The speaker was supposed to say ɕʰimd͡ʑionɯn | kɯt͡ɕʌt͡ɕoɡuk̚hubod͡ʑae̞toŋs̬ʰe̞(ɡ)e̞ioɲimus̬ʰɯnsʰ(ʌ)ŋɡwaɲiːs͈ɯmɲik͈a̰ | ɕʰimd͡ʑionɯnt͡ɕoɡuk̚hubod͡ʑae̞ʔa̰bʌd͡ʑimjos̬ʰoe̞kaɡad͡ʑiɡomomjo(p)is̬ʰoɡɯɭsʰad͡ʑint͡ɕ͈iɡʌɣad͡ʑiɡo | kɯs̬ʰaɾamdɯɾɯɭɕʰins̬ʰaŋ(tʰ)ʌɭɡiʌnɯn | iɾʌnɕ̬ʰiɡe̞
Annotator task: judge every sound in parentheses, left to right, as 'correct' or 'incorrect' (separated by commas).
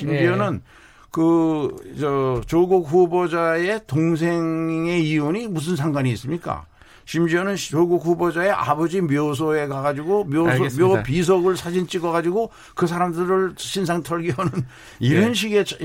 incorrect, incorrect, correct, correct